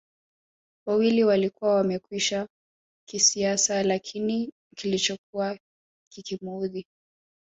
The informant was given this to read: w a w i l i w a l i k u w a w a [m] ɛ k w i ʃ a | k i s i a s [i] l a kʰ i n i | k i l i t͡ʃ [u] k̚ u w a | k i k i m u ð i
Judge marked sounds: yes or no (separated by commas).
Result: yes, no, no